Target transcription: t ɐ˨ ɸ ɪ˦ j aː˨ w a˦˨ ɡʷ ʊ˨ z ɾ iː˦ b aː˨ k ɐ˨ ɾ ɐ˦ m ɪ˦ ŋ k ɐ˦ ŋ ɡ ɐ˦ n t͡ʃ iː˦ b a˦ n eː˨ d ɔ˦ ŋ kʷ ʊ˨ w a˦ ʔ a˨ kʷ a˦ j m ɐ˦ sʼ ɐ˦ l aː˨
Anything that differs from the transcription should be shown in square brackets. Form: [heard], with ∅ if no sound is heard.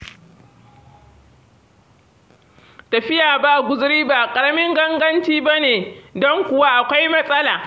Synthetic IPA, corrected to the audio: t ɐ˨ ɸ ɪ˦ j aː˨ [b] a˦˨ ɡʷ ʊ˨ z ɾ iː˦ b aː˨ [kʼ] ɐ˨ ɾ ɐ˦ m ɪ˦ ŋ [ɡ] ɐ˦ ŋ ɡ ɐ˦ n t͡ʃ iː˦ b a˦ n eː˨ d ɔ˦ ŋ kʷ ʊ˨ w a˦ ʔ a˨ kʷ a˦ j m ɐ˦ sʼ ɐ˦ l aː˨

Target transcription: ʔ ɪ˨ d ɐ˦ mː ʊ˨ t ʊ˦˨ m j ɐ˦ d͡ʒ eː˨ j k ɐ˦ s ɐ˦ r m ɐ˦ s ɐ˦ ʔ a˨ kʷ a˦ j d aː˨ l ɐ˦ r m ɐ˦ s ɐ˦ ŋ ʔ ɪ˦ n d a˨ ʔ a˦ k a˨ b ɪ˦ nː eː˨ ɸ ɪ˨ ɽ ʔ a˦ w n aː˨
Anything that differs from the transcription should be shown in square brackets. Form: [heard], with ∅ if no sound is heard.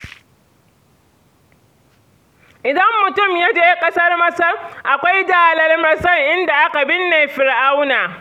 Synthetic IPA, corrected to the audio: ʔ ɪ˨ d ɐ˦ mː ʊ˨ t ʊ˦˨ m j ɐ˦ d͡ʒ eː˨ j [kʼ] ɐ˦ s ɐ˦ r m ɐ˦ s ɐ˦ ʔ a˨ kʷ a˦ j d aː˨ l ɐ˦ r m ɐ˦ s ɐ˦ ŋ ʔ ɪ˦ n d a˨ ʔ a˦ k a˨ b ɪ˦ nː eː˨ ɸ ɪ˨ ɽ ʔ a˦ w n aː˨

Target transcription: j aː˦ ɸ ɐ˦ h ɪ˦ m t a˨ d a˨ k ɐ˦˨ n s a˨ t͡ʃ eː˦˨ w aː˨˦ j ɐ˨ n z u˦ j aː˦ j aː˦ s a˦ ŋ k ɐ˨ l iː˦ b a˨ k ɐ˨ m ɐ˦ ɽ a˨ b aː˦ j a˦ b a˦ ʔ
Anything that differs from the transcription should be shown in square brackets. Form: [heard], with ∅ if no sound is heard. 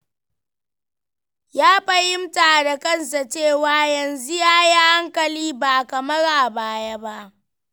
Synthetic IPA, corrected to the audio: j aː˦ ɸ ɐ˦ h ɪ˦ m t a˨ d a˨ k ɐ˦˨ n s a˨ t͡ʃ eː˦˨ w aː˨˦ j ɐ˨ n z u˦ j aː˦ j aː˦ [h] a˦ ŋ k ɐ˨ l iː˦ b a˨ k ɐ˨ m ɐ˦ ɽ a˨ b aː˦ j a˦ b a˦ ʔ

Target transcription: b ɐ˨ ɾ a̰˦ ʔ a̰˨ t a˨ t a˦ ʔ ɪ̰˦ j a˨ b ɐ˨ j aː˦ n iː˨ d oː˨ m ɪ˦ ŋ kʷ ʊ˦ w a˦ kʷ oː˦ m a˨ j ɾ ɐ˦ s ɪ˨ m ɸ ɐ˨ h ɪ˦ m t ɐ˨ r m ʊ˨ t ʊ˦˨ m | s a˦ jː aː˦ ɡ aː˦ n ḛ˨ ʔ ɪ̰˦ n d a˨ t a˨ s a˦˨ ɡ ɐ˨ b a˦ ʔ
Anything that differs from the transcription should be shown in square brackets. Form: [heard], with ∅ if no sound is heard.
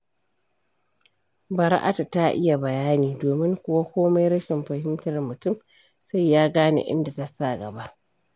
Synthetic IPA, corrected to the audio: b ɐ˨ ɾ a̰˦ ʔ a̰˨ t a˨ t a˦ ʔ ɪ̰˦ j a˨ b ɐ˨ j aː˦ n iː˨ d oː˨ m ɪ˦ ŋ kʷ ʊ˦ w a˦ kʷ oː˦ m [a˦] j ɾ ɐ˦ [ʃ] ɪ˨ m ɸ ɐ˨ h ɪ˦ m t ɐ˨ r m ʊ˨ t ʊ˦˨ m | s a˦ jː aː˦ ɡ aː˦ n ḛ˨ ʔ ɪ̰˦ n d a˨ t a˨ s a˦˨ ɡ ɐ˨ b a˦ ʔ

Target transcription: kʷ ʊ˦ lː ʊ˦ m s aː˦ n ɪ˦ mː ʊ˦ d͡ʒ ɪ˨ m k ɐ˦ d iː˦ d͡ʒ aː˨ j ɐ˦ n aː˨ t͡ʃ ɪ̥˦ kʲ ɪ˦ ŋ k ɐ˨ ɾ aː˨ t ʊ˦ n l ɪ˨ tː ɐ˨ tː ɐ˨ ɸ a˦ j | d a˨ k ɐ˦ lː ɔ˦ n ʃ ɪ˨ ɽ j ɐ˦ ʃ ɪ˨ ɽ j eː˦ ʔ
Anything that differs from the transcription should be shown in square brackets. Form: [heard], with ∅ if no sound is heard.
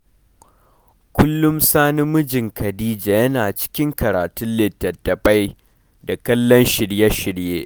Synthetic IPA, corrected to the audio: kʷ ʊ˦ lː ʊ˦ m s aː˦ n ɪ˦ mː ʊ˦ d͡ʒ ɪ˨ [ŋ] k [ɐ˨] d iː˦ d͡ʒ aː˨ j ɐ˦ n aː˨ t͡ʃ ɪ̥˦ kʲ ɪ˦ ŋ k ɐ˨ ɾ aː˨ t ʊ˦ n l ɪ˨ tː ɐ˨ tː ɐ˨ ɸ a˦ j | d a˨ k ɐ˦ lː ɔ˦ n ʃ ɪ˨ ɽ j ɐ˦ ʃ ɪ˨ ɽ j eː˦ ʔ

